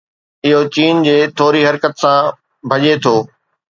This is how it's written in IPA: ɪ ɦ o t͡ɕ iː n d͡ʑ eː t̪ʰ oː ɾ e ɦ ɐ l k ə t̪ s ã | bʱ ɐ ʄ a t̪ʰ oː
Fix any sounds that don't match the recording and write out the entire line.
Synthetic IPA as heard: ɪ ɦ o t͡ɕ iː n d͡ʑ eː t̪ʰ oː ɾ i ɦ ɐ ɾ k ə t̪ s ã | bʱ ɐ ʄ e t̪ʰ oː